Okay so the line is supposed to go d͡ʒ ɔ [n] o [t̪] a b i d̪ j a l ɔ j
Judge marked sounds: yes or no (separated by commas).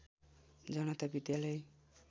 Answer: yes, yes